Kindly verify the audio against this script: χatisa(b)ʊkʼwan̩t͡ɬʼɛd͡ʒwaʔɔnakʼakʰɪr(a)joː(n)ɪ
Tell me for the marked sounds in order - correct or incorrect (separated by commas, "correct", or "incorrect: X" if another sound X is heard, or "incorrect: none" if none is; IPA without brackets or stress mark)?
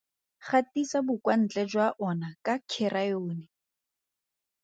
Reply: correct, correct, correct